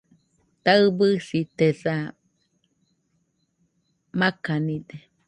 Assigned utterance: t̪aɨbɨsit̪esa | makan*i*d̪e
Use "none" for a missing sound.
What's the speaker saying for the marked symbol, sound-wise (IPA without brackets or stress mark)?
i